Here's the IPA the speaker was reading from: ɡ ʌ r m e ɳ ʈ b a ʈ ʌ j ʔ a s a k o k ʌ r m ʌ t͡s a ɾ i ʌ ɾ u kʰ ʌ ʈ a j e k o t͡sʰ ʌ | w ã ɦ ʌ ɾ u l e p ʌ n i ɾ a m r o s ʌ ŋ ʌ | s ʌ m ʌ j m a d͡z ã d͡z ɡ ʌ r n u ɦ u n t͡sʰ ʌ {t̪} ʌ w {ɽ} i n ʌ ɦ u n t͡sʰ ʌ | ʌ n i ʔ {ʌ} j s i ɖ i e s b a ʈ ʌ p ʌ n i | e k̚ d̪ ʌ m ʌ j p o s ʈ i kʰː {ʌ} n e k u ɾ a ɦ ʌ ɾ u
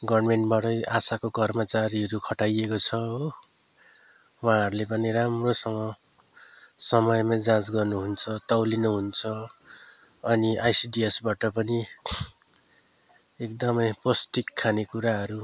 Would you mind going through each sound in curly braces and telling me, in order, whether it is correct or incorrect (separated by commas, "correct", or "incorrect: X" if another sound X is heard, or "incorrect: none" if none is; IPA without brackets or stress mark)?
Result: correct, incorrect: l, incorrect: a, incorrect: a